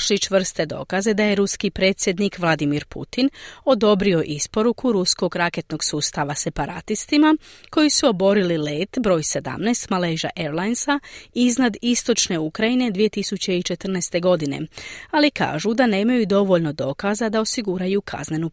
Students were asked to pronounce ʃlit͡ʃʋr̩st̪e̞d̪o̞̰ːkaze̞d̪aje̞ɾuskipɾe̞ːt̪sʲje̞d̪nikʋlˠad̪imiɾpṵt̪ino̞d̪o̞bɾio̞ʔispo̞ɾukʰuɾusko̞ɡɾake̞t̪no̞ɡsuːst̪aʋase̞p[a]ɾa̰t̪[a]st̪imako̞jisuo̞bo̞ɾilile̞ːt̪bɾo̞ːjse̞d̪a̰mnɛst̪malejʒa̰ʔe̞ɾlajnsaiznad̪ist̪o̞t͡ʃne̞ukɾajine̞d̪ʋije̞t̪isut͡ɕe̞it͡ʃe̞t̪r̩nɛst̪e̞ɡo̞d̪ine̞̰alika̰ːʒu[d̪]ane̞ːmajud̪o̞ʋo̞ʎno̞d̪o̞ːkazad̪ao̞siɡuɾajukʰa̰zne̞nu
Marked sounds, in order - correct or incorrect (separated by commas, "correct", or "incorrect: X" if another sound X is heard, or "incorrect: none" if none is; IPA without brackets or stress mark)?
correct, incorrect: i, correct